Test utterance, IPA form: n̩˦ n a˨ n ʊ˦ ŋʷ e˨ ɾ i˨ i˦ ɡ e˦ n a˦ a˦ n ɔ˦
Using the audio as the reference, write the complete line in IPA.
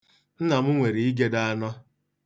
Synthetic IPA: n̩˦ n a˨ m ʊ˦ ŋʷ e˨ ɾ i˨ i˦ ɡ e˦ d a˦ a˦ n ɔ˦